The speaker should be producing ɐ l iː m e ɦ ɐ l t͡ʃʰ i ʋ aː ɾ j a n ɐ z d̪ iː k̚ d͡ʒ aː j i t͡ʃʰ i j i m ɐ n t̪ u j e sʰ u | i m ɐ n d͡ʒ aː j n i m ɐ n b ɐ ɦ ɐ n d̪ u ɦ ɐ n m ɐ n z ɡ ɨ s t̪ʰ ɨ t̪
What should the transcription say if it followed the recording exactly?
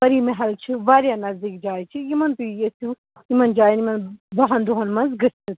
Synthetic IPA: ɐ ɾ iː m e ɦ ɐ l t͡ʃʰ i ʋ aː ɾ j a n ɐ z d̪ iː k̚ d͡ʒ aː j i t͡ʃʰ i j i m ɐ n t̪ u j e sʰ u | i m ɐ n d͡ʒ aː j n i m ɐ n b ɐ ɦ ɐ n d̪ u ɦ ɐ n m ɐ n z ɡ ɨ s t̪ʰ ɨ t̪